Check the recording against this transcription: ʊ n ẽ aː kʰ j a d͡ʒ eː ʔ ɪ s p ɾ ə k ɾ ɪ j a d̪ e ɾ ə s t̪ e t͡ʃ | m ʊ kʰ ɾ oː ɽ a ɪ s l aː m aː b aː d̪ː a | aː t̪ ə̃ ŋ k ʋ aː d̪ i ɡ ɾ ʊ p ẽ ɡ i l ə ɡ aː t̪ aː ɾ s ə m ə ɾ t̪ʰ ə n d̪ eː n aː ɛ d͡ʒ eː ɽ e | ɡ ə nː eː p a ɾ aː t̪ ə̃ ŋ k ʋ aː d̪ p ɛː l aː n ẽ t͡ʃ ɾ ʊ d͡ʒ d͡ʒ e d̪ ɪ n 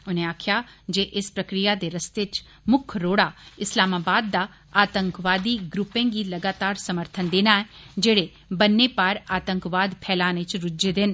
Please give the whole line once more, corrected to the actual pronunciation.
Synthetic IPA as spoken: ʊ n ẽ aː kʰ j a d͡ʒ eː ʔ ɪ s p ɾ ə k ɾ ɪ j a d̪ e ɾ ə s t̪ e t͡ʃ | m ʊ kʰ ɾ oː ɽ a ɪ s l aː m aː b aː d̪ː a | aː t̪ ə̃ ŋ k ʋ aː d̪ i ɡ ɾ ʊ p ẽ ɡ i l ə ɡ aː t̪ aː ɾ s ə m ə ɾ t̪ʰ ə n d̪ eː n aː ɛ d͡ʒ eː ɽ e | b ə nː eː p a ɾ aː t̪ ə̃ ŋ k ʋ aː d̪ pʰ ɛː l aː n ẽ t͡ʃ ɾ ʊ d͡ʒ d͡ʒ e d̪ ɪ n

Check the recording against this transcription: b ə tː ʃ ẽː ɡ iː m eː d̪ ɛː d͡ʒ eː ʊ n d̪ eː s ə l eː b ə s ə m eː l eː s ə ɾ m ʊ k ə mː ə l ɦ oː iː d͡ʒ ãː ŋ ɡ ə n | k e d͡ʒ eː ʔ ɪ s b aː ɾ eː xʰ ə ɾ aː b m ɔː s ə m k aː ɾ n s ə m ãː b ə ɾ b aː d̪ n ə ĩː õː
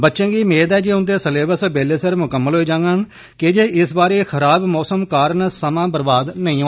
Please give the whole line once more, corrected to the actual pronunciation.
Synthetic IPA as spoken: b ə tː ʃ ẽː ɡ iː m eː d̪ ɛː d͡ʒ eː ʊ n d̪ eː s ə l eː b ə s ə b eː l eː s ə ɾ m ʊ k ə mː ə l ɦ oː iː d͡ʒ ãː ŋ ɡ ə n | k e d͡ʒ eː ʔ ɪ s b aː ɾ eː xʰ ə ɾ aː b m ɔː s ə m k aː ɾ n s ə m ãː b ə ɾ b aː d̪ n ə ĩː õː

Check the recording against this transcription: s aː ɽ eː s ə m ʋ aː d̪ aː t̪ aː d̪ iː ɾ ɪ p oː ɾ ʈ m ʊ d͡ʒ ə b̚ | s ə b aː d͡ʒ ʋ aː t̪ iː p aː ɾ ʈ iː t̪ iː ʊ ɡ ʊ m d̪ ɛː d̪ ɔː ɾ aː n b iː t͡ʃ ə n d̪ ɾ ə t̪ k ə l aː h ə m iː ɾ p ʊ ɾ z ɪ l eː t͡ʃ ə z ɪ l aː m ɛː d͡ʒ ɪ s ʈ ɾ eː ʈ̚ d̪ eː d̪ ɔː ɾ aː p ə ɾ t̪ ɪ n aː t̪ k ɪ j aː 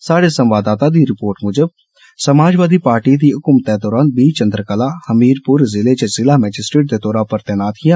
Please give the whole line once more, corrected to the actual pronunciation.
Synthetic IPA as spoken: s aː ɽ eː s ə m ʋ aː d̪ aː t̪ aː d̪ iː ɾ ɪ p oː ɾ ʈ m ʊ d͡ʒ ə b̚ | s ə m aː d͡ʒ ʋ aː d̪ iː p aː ɾ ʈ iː d̪ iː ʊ k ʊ m t̪ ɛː d̪ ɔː ɾ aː n b iː t͡ʃ ə n d̪ ɾ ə k ə l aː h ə m iː ɾ p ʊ ɾ z ɪ l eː t͡ʃ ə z ɪ l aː m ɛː d͡ʒ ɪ s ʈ ɾ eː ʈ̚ d̪ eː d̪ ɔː ɾ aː p ə ɾ t̪ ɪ n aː t̪ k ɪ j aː

